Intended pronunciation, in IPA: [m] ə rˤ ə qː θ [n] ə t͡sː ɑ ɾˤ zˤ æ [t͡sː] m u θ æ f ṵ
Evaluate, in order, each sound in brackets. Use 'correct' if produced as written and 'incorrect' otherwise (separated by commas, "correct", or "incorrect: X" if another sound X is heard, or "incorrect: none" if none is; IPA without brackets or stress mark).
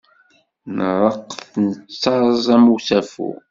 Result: incorrect: n, correct, incorrect: none